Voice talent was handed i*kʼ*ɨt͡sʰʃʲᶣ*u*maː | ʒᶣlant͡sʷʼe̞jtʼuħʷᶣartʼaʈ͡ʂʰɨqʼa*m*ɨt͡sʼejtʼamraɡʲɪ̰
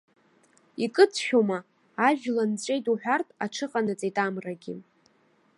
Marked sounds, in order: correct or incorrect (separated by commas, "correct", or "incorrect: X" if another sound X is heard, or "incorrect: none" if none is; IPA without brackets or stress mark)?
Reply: correct, incorrect: o, incorrect: n